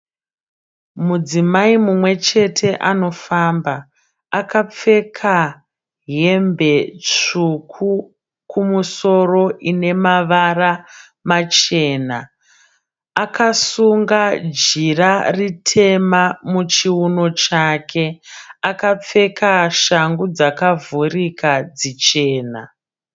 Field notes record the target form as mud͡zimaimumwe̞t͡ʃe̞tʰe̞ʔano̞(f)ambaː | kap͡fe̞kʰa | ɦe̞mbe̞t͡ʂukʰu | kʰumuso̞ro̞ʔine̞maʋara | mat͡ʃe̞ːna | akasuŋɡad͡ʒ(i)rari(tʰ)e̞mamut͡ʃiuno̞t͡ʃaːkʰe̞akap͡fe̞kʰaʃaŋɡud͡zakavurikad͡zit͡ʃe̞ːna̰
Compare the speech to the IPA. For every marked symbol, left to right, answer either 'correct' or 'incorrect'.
correct, correct, correct

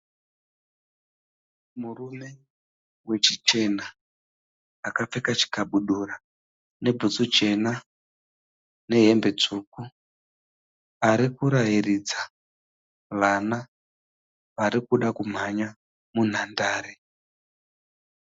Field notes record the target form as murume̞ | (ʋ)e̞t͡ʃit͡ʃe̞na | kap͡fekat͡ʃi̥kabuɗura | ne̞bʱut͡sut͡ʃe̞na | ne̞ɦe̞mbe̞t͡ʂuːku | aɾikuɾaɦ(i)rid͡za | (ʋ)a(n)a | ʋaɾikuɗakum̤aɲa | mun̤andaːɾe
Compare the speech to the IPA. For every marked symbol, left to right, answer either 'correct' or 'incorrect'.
incorrect: w, correct, correct, correct

